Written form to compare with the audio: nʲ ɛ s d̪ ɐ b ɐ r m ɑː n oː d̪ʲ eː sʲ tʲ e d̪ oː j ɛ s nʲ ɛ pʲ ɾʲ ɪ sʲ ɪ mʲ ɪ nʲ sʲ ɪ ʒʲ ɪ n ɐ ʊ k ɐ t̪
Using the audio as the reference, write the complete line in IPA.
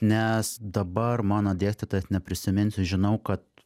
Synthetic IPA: nʲ ɛ s d̪ ɐ b ɐ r m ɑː n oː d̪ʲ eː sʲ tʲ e t̪ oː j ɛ s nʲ ɛ pʲ ɾʲ ɪ sʲ ɪ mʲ ɪ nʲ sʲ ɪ ʒʲ ɪ n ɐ ʊ k ɐ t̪